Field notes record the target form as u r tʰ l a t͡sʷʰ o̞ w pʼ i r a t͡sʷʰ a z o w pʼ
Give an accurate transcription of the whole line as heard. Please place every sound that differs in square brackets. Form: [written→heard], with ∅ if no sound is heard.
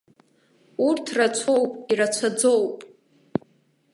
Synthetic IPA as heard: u r tʰ [l→r] a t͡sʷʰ o̞ w pʼ i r a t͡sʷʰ a [z→d͡z] o w pʼ